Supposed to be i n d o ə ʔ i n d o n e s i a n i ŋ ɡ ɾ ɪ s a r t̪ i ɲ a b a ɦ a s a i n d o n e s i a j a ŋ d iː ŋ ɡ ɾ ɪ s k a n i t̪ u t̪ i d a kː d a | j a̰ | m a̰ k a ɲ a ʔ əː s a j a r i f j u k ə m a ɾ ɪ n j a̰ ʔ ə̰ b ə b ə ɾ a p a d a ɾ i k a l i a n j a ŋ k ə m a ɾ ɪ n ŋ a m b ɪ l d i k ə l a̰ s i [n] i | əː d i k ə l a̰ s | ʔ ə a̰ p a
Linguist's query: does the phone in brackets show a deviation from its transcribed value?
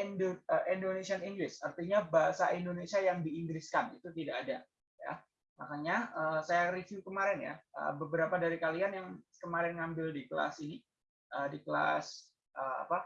no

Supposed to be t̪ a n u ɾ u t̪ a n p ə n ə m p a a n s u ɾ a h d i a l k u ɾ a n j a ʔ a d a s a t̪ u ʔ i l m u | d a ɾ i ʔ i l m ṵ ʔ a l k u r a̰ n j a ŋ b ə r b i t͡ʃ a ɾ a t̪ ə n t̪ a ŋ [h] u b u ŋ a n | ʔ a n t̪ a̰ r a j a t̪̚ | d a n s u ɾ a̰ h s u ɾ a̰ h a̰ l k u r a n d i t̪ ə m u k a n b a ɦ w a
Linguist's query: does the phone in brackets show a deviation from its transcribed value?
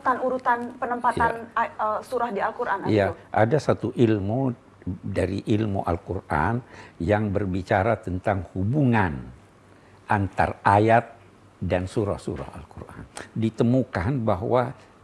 no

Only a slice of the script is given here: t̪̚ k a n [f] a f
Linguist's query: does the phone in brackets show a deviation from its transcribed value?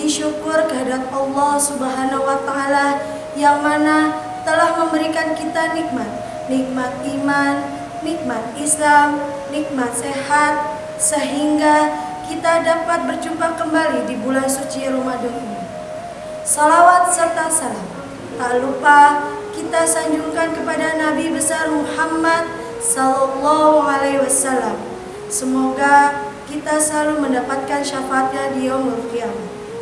yes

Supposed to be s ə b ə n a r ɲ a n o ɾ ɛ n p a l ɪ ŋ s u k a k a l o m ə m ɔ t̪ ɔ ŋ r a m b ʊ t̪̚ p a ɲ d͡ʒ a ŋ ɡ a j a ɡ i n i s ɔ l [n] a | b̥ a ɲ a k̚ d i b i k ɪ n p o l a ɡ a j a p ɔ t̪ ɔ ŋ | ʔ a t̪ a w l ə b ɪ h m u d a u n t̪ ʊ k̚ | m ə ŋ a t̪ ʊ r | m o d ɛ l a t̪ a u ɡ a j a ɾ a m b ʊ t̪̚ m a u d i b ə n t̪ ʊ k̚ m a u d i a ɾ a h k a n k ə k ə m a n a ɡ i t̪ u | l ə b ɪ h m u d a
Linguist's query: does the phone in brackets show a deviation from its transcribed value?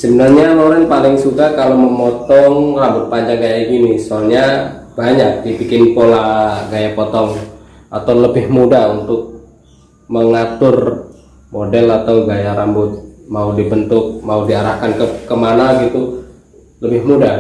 yes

